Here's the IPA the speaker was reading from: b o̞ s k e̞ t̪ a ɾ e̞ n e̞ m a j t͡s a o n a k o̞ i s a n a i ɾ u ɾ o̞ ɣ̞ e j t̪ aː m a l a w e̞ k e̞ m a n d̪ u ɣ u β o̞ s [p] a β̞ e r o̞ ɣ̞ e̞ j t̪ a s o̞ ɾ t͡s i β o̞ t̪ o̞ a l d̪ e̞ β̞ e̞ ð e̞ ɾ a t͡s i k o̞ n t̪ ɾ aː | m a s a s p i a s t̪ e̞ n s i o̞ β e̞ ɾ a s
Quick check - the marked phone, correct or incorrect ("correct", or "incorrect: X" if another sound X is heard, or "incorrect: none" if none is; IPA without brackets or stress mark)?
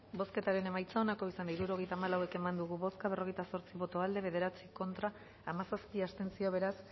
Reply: incorrect: k